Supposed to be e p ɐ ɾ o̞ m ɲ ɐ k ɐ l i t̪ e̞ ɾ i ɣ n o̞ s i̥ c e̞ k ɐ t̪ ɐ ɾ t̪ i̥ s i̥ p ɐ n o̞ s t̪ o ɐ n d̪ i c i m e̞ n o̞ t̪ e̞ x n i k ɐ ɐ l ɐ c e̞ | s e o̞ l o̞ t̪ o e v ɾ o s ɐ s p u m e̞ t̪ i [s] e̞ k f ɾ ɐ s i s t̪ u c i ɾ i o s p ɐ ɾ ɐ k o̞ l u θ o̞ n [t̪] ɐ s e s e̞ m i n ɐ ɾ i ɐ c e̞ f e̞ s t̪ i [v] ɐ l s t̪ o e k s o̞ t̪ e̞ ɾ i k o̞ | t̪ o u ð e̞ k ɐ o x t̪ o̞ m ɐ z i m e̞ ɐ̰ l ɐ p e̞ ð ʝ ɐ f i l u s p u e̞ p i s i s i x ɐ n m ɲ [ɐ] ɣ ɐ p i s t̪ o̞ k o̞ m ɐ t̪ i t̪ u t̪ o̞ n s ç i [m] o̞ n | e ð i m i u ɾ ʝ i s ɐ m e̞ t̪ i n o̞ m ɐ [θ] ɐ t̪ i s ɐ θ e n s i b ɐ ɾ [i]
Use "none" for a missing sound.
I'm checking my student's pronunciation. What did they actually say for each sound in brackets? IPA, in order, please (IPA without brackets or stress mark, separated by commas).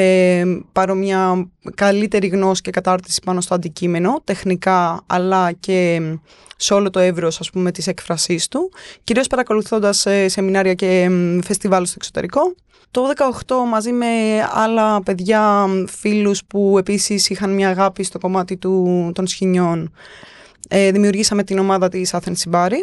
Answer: s, d̪, v, ɐː, ɲ, ð, i